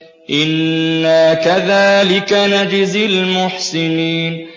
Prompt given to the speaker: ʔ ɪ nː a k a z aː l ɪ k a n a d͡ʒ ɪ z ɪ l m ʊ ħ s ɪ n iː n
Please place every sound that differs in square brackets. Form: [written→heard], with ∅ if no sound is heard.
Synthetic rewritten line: ʔ ɪ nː a k a [z→ð] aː l ɪ k a n a d͡ʒ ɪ z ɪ l m ʊ ħ s ɪ n iː n

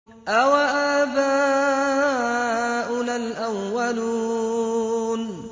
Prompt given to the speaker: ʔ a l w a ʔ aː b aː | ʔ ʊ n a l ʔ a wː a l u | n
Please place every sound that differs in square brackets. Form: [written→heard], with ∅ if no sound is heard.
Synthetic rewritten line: ʔ a [l→∅] w a ʔ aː b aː | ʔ ʊ n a l ʔ a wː a l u | n

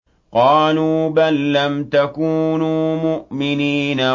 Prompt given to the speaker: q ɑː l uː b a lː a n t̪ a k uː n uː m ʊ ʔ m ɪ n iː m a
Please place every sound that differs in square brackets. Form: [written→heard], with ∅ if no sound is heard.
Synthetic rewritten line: q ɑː l uː b a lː a [n→m] t̪ a k uː n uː m ʊ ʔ m ɪ n iː [m→n] a

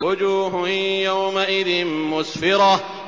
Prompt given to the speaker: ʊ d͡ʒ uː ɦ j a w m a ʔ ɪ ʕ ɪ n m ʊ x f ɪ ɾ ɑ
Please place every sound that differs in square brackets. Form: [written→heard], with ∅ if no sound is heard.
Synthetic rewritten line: ʊ d͡ʒ uː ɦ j a w m a ʔ ɪ [ʕ→ð] ɪ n m ʊ [x→s] f ɪ ɾ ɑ

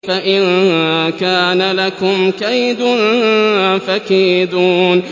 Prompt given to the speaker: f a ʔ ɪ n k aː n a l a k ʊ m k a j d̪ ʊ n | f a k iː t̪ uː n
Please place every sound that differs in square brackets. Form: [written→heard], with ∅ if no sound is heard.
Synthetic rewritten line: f a ʔ ɪ n k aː n a l a k ʊ m k a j d̪ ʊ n | f a k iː [t̪→d̪] uː n

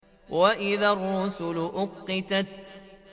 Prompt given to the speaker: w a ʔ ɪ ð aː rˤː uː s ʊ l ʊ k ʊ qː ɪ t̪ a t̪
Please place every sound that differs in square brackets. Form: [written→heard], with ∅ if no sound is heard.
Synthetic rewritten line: w a ʔ ɪ ð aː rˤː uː s ʊ l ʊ [k→ʔ] ʊ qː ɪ t̪ a t̪

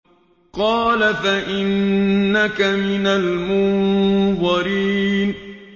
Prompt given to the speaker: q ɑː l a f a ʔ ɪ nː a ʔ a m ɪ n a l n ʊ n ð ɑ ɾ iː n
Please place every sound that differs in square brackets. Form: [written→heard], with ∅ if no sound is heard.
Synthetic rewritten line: q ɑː l a f a ʔ ɪ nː a [ʔ→k] a m ɪ n a l [n→m] ʊ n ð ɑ ɾ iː n

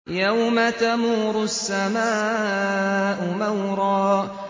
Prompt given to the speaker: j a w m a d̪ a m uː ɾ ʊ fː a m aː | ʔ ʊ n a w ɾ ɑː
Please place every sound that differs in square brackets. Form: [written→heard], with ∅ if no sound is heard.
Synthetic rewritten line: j a w m a [d̪→t̪] a m uː ɾ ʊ [fː→sː] a m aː | ʔ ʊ [n→m] a w ɾ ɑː

